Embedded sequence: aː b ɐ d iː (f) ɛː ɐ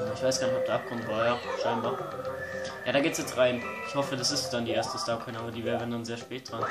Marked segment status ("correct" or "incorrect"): incorrect